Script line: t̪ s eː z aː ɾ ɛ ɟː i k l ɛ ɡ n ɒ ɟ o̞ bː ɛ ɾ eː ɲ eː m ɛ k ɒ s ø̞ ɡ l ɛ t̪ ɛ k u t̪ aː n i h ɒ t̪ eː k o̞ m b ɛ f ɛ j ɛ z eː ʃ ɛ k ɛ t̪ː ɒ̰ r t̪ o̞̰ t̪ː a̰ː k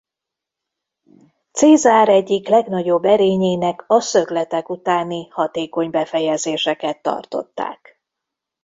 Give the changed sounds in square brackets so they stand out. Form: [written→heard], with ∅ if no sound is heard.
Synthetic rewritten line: t̪ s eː z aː ɾ ɛ ɟː i k l ɛ ɡ n ɒ ɟ o̞ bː ɛ ɾ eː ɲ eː [m→n] ɛ k ɒ s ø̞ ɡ l ɛ t̪ ɛ k u t̪ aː n i h ɒ t̪ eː k o̞ [m→ɲ] b ɛ f ɛ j ɛ z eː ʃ ɛ k ɛ t̪ː ɒ̰ r t̪ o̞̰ t̪ː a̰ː k